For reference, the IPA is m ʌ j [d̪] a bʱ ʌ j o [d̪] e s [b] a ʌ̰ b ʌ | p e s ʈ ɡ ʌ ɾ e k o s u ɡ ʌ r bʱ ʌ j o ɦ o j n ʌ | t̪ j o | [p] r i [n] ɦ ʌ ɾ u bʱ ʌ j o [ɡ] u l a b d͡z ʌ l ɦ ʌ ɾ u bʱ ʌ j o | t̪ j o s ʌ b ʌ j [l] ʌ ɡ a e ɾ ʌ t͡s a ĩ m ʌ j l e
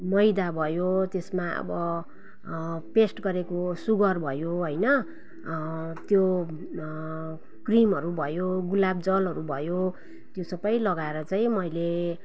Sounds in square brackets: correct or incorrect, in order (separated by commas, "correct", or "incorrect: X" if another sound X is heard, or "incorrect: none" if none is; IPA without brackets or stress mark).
correct, incorrect: t̪, incorrect: m, incorrect: k, incorrect: m, correct, correct